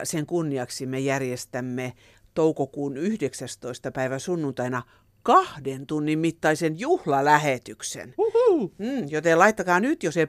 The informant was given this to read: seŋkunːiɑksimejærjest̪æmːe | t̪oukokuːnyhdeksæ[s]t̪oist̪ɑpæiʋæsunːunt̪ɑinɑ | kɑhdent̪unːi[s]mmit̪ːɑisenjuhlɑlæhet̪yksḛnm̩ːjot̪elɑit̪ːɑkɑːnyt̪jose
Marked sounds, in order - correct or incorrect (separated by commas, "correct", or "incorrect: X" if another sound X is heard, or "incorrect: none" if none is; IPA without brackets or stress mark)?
correct, incorrect: none